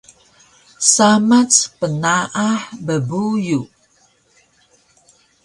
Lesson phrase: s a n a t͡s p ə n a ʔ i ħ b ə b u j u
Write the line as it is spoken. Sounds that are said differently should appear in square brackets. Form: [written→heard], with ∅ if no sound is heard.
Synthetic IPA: s a [n→m] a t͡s p ə n a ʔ [i→a] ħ b ə b u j u